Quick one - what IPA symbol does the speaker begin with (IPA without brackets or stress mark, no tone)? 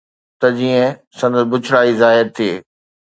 t̪